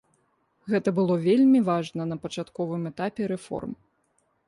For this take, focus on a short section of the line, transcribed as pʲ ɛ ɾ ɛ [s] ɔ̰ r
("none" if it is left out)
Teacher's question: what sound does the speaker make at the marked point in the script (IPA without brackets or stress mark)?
f